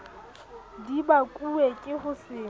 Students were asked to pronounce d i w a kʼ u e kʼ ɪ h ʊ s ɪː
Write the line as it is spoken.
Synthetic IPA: d i b a kʼ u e kʼ ɪ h ʊ s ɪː